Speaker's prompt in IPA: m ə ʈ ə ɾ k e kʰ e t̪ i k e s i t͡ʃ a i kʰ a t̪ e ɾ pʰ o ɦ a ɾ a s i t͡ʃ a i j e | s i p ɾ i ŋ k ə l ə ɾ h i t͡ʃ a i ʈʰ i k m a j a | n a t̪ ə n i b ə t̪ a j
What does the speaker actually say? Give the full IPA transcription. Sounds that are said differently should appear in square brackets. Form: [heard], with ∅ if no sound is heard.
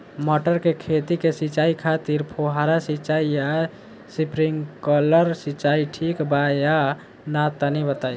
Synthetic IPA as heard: m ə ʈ ə ɾ k e kʰ e t̪ i k e s i t͡ʃ a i kʰ a t̪ [i] ɾ pʰ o ɦ a ɾ a s i t͡ʃ a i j [a] | s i p ɾ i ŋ k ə l ə ɾ [s] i t͡ʃ a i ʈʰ i k [b] a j a | n a t̪ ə n i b ə t̪ a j